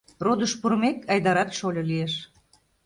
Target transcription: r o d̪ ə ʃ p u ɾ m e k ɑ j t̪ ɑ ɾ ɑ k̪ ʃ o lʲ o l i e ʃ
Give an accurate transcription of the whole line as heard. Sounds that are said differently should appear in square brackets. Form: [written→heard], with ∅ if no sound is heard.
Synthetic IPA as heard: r o d̪ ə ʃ p u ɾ m e k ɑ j [t̪→d̪] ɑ ɾ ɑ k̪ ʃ o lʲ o l i e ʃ